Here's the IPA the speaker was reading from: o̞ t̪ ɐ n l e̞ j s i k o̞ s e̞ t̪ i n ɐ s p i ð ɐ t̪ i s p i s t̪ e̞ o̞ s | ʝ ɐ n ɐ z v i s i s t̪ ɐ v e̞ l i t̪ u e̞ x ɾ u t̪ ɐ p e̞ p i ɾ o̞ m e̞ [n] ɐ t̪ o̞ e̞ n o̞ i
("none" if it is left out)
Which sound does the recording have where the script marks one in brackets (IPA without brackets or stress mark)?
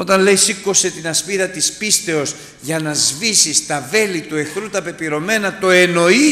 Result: n